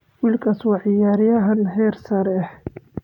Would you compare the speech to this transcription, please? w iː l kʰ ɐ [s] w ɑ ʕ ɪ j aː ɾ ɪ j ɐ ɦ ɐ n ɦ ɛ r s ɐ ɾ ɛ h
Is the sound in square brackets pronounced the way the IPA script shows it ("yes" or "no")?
yes